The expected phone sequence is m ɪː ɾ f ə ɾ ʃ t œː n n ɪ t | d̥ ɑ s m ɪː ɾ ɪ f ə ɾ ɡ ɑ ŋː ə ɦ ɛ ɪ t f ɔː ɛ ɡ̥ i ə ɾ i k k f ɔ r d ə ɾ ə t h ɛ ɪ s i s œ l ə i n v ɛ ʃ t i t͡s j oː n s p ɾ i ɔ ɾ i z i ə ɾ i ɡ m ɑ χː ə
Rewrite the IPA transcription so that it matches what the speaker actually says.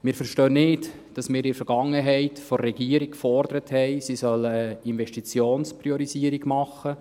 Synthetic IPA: m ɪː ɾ f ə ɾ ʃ t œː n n ɪ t | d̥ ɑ s m ɪː ɾ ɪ f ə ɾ ɡ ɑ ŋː ə ɦ ɛ ɪ t f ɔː ɛ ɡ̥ i ə ɾ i k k f ɔ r d ə ɾ ə t h ɛ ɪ s i s œ l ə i n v ɛ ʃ t i t͡s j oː n s p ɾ i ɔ ɾ i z i ə ɾ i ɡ m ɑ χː ə